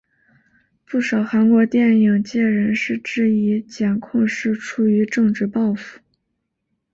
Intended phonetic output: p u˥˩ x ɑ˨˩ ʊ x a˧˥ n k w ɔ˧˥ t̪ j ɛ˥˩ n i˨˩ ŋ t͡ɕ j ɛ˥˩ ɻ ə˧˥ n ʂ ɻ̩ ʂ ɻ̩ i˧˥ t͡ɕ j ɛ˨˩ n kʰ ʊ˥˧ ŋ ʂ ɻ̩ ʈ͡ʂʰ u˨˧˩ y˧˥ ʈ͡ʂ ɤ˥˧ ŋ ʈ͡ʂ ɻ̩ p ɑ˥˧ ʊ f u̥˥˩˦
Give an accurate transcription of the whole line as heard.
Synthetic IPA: p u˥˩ ʂ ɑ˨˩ ʊ x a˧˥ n k w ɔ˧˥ t̪ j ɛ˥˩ n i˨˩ ŋ t͡ɕ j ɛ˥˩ ɻ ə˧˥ n ʂ ɻ̩ ʈ͡ʂ ɻ̩ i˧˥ t͡ɕ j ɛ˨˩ n kʰ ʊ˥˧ ŋ ʂ ɻ̩ ʈ͡ʂʰ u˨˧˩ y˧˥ ʈ͡ʂ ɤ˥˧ ŋ ʈ͡ʂ ɻ̩ p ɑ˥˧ ʊ f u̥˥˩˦